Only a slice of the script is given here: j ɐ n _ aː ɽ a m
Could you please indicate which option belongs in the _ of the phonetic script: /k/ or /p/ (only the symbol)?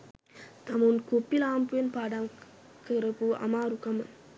p